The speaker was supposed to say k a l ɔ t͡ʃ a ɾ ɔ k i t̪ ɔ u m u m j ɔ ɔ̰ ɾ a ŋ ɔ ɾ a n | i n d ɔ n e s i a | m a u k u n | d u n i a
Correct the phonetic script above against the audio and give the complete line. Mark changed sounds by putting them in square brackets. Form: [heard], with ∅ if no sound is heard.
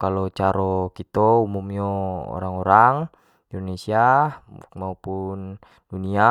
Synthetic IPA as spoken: k a l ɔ t͡ʃ a ɾ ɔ k i t̪ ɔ u m u m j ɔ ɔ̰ ɾ a ŋ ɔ ɾ a [ŋ] | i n d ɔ n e s i a | m a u [p] u n | d u n i a